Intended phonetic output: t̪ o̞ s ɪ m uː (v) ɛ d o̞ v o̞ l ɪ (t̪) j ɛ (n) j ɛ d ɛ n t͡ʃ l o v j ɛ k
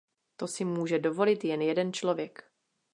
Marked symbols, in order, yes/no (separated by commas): no, yes, yes